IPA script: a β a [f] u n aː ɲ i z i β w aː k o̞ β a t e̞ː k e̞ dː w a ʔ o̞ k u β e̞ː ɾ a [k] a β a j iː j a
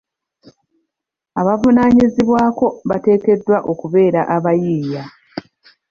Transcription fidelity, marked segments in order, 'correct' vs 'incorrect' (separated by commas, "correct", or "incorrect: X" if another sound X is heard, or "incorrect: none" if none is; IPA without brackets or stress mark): incorrect: v, incorrect: ʔ